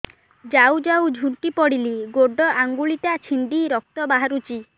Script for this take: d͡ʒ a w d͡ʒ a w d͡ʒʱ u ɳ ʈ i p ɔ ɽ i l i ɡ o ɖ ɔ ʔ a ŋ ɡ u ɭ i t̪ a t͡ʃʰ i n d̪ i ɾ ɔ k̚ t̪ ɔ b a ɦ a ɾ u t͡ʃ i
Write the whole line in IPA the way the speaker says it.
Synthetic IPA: d͡ʒ a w d͡ʒ a w d͡ʒʱ u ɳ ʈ i p ɔ ɽ i l i ɡ o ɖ ɔ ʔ a ŋ ɡ u ɭ i t̪ a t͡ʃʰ i n d̪ i ɾ ɔ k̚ t̪ ɔ b a ɦ a ɾ u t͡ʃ i